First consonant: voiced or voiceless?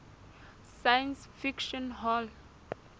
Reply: voiceless